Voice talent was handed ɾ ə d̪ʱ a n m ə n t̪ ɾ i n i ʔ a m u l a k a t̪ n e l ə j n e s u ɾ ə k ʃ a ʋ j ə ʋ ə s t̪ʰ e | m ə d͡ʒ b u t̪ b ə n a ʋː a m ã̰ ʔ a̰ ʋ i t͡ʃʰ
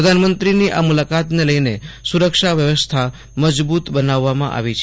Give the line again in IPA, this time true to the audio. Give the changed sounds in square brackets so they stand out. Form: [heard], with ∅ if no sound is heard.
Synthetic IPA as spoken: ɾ ə d̪ʱ a n m ə n t̪ ɾ i n i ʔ a m u l a k a t̪ n e l ə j n e s u ɾ ə k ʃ a ʋ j ə ʋ ə s t̪ʰ [a] | m ə d͡ʒ b u t̪ b ə n a ʋː a m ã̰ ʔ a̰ ʋ i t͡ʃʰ